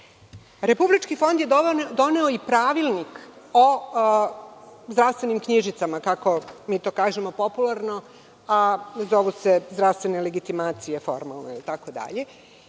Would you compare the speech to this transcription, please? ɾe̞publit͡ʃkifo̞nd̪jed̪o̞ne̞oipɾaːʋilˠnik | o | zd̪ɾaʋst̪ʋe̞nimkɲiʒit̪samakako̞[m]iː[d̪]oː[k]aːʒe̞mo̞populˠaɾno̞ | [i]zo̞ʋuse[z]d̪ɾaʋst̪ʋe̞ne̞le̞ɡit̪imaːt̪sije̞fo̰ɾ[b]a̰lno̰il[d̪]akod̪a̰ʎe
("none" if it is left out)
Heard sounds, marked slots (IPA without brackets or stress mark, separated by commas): m, t̪, k, a, z, m, t̪